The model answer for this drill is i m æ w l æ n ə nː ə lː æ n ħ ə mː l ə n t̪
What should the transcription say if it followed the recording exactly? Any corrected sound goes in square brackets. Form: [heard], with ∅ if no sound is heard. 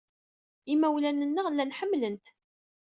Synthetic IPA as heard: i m æ w l æ n ə nː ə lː æ n ħ ə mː l ə n t̪